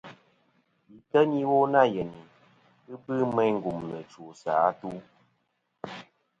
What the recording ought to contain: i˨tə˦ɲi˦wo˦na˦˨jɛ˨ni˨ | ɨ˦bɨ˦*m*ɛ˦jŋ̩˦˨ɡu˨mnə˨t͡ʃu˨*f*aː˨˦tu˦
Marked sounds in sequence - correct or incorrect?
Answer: correct, incorrect

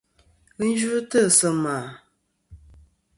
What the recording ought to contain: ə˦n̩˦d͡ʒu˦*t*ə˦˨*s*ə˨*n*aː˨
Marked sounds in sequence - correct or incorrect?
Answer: correct, correct, incorrect

